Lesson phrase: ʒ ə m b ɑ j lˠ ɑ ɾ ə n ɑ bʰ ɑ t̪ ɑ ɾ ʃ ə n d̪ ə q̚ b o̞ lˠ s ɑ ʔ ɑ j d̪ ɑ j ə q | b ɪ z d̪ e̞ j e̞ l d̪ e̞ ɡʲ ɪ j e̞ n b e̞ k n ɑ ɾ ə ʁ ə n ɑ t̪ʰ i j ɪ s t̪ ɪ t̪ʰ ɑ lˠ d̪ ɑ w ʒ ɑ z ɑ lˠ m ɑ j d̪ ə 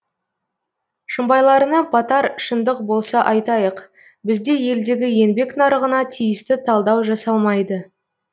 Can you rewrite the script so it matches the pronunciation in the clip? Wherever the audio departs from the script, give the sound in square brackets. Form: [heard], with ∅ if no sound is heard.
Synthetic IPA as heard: [ʃ] ə m b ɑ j lˠ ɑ ɾ ə n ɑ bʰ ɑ t̪ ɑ ɾ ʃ ə n d̪ ə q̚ b o̞ lˠ s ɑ ʔ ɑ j [t̪] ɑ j ə q | b ɪ z d̪ e̞ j e̞ l d̪ e̞ ɡʲ ɪ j e̞ n b e̞ k n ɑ ɾ ə ʁ ə n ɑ t̪ʰ i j ɪ s t̪ ɪ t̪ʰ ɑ lˠ d̪ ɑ w ʒ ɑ [s] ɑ lˠ m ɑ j d̪ ə

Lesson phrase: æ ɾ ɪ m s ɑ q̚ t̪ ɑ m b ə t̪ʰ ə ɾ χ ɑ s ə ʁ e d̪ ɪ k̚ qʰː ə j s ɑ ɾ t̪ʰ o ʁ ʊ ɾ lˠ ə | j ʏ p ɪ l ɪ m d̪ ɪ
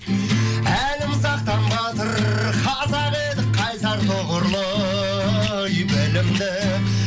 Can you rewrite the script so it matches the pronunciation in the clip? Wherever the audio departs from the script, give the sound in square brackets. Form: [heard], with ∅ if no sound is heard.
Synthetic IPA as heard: æ [l] ɪ m s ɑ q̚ t̪ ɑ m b [ɑ] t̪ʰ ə ɾ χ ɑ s [ɑ] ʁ e d̪ ɪ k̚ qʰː [ɑ] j s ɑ ɾ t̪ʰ o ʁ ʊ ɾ lˠ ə | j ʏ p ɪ l ɪ m d̪ ɪ

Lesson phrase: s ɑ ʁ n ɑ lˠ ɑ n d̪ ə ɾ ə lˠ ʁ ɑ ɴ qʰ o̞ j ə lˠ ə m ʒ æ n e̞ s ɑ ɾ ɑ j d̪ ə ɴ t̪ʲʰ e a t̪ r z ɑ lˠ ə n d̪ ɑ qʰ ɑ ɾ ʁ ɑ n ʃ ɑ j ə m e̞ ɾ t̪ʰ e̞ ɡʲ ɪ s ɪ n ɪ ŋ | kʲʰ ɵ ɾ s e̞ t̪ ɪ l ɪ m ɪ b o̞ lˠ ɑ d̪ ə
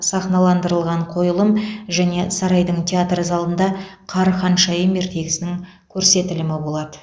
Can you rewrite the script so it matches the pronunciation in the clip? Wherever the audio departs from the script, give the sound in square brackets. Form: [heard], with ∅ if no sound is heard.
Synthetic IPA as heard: s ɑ [χ] n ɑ lˠ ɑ n d̪ ə ɾ ə lˠ ʁ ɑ ɴ qʰ o̞ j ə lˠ ə m ʒ æ n e̞ s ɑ ɾ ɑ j d̪ ə ɴ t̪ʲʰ e a t̪ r z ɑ lˠ ə n d̪ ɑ qʰ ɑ ɾ [χ] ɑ n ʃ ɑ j ə m e̞ ɾ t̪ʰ e̞ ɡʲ ɪ s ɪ n ɪ ŋ | kʲʰ ɵ ɾ s e̞ t̪ ɪ l ɪ m ɪ b o̞ lˠ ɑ d̪ ə

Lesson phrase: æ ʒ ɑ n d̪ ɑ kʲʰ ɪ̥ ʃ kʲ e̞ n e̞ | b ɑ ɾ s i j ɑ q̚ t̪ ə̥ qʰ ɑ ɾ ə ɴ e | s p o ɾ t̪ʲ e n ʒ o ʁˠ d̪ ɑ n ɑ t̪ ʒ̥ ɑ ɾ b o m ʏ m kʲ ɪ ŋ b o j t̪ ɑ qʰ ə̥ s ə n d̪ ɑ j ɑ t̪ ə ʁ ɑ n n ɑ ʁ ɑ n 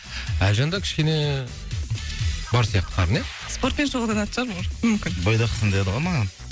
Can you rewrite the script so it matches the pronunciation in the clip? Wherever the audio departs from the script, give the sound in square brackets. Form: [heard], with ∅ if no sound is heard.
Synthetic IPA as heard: æ ʒ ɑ n d̪ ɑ kʲʰ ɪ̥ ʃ kʲ e̞ n e̞ | b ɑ ɾ s i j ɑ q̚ t̪ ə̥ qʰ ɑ ɾ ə [n] e | s p o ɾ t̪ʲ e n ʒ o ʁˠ d̪ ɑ n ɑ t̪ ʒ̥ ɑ ɾ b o m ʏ m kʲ ɪ [n] b o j [d̪] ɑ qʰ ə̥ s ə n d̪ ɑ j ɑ [d̪] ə ʁ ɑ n [m] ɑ ʁ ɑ n

